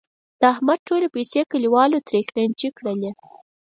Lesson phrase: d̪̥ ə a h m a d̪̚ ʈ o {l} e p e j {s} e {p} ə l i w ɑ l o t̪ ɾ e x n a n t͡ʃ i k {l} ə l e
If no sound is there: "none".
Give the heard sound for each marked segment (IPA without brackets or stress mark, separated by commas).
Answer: l, s, k, ɽ